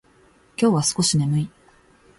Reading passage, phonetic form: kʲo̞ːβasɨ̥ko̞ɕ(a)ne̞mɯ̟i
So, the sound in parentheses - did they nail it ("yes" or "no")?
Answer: no